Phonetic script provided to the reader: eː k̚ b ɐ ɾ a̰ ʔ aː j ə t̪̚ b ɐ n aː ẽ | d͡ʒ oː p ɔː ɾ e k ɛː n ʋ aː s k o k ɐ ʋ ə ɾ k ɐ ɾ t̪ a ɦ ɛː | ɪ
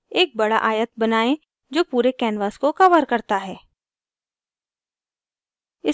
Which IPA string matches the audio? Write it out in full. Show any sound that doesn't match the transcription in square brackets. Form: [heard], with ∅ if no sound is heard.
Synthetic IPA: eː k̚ b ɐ [ɽ] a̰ ʔ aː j ə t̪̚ b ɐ n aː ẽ | d͡ʒ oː p [uː] ɾ e k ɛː n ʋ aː s k o k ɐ ʋ ə ɾ k ɐ ɾ t̪ a ɦ ɛː | ɪ